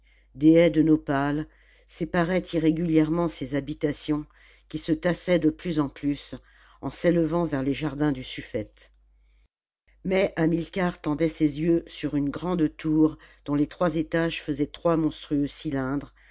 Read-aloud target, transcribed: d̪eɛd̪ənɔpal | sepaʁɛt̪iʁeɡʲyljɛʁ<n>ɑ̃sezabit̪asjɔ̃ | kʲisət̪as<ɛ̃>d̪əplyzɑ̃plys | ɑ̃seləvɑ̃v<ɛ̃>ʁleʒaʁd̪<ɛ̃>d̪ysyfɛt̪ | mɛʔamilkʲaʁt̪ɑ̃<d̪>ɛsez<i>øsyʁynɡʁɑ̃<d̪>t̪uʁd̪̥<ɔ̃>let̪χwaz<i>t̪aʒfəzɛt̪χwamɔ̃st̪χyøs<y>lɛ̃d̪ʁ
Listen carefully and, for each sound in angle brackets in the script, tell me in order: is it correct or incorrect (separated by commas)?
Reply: incorrect, incorrect, incorrect, correct, correct, incorrect, correct, correct, incorrect, incorrect